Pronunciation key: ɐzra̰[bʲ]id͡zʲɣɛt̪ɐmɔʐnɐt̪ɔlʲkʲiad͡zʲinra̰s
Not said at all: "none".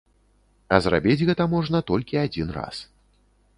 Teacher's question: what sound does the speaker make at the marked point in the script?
bʲ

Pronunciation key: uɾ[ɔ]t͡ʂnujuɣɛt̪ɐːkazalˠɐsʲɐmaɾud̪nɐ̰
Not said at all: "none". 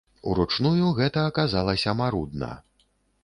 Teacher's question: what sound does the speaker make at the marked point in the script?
u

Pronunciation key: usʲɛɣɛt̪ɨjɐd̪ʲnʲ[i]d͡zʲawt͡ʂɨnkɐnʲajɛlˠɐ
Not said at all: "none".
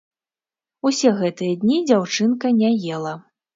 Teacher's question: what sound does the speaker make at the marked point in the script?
i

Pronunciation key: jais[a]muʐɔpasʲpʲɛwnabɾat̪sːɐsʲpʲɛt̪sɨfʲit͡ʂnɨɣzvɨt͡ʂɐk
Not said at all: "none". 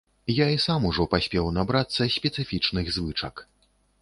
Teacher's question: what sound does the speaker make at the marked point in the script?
a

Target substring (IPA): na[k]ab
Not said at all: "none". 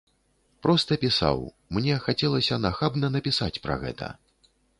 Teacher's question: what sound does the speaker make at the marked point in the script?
x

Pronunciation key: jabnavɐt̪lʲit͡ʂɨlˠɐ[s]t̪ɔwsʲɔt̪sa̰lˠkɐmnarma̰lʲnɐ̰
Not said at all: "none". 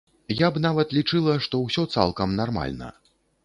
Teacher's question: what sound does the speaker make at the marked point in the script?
ʂ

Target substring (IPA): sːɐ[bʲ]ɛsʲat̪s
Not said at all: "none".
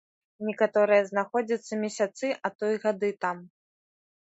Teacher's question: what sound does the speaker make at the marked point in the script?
mʲ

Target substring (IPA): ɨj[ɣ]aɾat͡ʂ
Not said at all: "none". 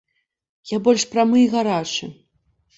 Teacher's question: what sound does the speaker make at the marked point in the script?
ɣ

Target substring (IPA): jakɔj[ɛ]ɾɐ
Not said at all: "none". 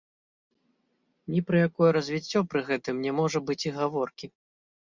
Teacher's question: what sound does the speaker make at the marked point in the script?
ɛ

